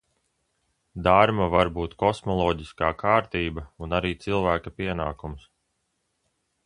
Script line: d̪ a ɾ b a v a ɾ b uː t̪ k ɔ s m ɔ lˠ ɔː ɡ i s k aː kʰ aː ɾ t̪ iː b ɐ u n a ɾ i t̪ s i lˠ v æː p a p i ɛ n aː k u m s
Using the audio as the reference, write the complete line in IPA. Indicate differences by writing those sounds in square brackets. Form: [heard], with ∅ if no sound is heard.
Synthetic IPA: d̪ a ɾ [m] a v a ɾ b uː t̪ k ɔ s m ɔ lˠ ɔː [ɟ] i s k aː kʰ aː ɾ t̪ iː b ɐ u n a ɾ [iː] t̪ s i lˠ v æː [k] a p i ɛ n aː k u m s

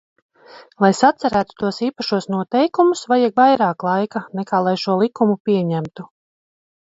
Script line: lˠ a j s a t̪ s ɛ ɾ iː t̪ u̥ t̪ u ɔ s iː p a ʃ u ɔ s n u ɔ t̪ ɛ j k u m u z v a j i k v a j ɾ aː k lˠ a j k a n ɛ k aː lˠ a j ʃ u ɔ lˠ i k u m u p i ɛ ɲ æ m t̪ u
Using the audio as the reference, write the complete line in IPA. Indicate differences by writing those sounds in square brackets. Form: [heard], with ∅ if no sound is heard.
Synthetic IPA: lˠ a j s a t̪ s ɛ ɾ [æː] t̪ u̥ t̪ u ɔ s iː p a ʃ u ɔ s n u ɔ t̪ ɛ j k u m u [s] v a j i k v a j ɾ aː k lˠ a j k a n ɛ k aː lˠ a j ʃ u ɔ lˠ i k u m u p i ɛ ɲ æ m t̪ u

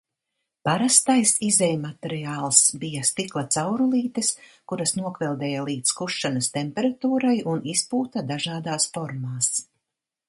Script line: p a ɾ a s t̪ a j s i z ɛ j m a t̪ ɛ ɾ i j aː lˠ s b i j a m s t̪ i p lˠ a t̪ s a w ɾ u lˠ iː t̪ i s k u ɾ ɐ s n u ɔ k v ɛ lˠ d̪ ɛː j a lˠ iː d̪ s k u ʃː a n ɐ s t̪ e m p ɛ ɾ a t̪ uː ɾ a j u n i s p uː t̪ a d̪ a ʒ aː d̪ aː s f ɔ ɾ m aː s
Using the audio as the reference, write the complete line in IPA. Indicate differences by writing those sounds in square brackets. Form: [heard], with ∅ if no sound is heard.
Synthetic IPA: p a ɾ a s t̪ a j s i z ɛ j m a t̪ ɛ ɾ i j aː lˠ s b i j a [∅] s t̪ i [k] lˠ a t̪ s a w ɾ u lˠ iː t̪ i s k u ɾ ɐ s n u ɔ k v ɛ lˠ d̪ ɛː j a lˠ iː [t̪] s k u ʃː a n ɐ s t̪ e m p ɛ ɾ a t̪ uː ɾ a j u n i s p uː t̪ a d̪ a ʒ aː d̪ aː s f ɔ ɾ m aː s

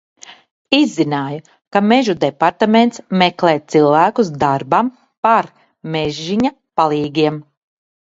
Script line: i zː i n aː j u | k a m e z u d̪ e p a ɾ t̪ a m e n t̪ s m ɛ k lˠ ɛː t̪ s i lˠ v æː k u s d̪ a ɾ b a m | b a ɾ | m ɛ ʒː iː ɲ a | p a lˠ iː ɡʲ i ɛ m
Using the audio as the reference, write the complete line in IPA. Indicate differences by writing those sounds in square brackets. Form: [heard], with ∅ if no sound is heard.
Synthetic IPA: i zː i n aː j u | k a m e [ʒ] u d̪ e p a ɾ t̪ a m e n t̪ s m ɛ k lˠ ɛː t̪ s i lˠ v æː k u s d̪ a ɾ b a m | [p] a ɾ | m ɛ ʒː [i] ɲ a | p a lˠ iː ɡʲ i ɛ m

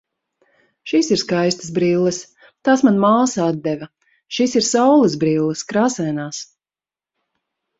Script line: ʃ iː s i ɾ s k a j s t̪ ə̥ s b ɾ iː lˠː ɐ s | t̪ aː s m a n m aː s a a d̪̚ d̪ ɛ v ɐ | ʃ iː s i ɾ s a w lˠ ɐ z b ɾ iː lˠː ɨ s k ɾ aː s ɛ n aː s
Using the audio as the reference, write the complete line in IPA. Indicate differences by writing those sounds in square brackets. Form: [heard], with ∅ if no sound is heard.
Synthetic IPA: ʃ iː s i ɾ s k a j s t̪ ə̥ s b ɾ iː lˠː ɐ s | t̪ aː s m a n m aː s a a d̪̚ d̪ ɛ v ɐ | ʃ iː s i ɾ s a w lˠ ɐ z b ɾ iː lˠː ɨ s k ɾ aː s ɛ n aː s

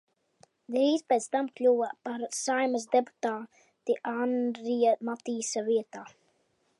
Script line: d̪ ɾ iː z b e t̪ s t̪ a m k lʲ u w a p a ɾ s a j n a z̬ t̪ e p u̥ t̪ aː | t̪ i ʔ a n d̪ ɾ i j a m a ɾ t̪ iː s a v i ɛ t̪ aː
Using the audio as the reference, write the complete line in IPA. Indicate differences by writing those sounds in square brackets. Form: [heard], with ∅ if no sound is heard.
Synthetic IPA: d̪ ɾ iː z [p] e t̪ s t̪ a m k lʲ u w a p a ɾ s a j [m] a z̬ [d̪] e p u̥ t̪ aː | t̪ i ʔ a n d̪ ɾ i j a m a [∅] t̪ iː s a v i ɛ t̪ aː

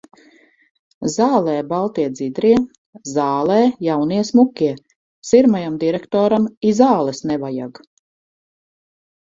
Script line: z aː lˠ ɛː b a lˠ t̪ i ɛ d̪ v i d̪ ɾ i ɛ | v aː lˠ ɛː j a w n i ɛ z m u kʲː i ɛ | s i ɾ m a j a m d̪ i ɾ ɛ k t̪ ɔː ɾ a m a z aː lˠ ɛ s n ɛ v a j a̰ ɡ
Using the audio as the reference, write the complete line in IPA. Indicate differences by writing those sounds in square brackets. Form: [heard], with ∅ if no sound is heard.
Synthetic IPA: z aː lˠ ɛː b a lˠ t̪ i ɛ d̪ [z] i d̪ ɾ i ɛ | [z] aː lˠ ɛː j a w n i ɛ [s] m u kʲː i ɛ | s i ɾ m a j a m d̪ i ɾ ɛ k t̪ ɔː ɾ a m [i] z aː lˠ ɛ s n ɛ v a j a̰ ɡ

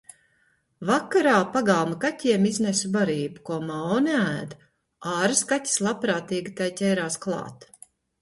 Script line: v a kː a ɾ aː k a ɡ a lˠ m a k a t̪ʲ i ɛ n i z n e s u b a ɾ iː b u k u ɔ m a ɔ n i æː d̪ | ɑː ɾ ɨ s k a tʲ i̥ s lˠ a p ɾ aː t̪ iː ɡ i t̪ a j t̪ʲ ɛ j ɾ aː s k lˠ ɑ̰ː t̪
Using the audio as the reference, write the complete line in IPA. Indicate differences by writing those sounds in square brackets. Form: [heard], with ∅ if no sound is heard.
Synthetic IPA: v a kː a ɾ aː [p] a ɡ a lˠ m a k a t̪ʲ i ɛ [m] i z n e s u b a ɾ iː b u k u ɔ m a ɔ n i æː d̪ | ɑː ɾ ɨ s k a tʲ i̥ s lˠ a p ɾ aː t̪ iː ɡ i t̪ a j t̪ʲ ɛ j ɾ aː s k lˠ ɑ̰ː t̪

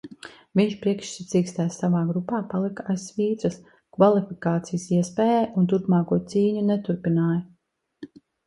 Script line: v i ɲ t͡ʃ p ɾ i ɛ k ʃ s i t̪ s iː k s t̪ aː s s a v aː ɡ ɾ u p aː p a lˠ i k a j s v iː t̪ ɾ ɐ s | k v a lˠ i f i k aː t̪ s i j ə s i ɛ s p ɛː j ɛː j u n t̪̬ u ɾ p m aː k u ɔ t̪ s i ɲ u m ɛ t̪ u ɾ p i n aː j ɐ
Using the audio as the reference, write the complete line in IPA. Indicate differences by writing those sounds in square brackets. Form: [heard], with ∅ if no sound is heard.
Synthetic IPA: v i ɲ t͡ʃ p ɾ i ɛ k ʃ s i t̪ s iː k s t̪ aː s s a v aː ɡ ɾ u p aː p a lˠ i k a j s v iː t̪ ɾ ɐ s | k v a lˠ i f i k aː t̪ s i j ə s i ɛ s p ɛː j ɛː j u n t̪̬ u ɾ p m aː k u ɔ t̪ s [iː] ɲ u [n] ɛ t̪ u ɾ p i n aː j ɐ

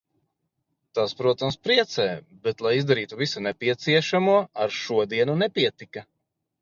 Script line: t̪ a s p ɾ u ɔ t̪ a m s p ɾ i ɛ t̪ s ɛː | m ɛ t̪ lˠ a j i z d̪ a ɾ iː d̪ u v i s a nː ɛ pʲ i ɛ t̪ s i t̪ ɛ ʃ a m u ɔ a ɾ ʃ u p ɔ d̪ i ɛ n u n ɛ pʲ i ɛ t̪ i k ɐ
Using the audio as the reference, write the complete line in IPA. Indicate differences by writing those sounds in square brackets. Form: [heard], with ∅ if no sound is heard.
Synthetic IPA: t̪ a s p ɾ u ɔ t̪ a m s p ɾ i ɛ t̪ s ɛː | [b] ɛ t̪ lˠ a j i z d̪ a ɾ iː [t̪] u v i s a [n] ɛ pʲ i ɛ t̪ s i [∅] ɛ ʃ a m u ɔ a ɾ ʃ u [∅] ɔ d̪ i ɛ n u n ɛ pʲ i ɛ t̪ i k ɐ

